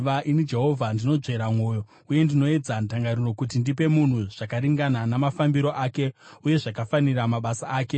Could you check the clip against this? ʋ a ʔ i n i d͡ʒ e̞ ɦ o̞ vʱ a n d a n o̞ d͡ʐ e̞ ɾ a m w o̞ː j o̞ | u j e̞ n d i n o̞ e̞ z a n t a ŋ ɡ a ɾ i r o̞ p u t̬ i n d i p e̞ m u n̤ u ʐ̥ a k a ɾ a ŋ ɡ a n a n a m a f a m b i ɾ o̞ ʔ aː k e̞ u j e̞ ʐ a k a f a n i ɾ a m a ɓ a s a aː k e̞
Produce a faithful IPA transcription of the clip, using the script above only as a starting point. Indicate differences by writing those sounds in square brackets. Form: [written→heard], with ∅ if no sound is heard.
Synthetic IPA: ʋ a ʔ i n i d͡ʒ e̞ ɦ o̞ vʱ a n d [a→i] n o̞ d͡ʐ e̞ ɾ a m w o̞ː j o̞ | u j e̞ n d i n o̞ e̞ [z→d͡z] a n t a ŋ ɡ a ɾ i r o̞ [p→k] u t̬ i n d i p e̞ m u n̤ u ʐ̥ a k a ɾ [a→i] ŋ ɡ a n a n a m a f a m b i ɾ o̞ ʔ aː k e̞ u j e̞ ʐ a k a f a n i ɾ a m a ɓ a s a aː k e̞